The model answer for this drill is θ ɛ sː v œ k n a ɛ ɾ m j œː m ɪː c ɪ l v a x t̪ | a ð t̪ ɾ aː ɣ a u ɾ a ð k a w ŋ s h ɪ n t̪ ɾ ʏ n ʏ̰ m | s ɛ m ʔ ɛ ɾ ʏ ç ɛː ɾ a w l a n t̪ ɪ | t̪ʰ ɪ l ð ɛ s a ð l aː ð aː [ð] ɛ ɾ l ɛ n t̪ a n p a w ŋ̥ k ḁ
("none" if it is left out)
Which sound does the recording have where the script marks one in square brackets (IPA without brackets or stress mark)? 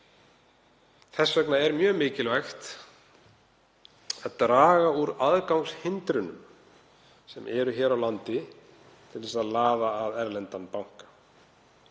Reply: ð